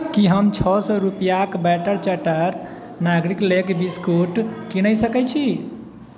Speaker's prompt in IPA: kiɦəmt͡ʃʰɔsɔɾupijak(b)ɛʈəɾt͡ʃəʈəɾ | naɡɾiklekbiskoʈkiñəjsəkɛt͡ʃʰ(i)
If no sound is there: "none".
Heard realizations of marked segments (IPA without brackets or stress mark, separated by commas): b, i